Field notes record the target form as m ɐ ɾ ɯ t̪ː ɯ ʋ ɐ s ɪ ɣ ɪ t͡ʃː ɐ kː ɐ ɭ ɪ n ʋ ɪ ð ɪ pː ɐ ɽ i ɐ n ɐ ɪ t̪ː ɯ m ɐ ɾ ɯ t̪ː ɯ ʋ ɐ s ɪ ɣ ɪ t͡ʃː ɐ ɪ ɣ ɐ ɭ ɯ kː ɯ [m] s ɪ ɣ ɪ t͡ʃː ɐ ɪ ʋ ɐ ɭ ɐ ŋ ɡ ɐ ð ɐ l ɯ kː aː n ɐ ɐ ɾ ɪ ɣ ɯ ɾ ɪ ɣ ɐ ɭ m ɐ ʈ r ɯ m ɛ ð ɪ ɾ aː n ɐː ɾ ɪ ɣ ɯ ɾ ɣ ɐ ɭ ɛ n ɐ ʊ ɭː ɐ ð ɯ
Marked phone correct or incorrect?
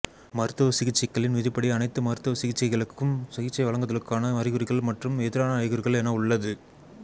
correct